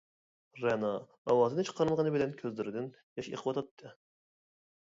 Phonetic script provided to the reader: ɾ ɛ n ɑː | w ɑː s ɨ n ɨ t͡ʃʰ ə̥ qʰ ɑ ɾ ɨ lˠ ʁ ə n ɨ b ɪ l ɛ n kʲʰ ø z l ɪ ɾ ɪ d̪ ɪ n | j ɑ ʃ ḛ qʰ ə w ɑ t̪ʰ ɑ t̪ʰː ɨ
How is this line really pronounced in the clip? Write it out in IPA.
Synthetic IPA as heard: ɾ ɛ n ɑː | w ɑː z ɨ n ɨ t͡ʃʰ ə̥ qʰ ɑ ɾ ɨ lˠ ʁ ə n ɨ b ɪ l ɛ n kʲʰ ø z l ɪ ɾ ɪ d̪ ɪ n | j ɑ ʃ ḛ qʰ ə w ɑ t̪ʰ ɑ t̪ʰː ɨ